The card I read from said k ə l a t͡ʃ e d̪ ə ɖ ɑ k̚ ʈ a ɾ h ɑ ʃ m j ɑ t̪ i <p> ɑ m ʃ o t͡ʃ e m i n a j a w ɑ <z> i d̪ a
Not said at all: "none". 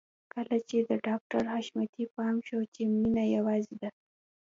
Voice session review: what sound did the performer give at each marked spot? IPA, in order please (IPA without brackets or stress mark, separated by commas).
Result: p, z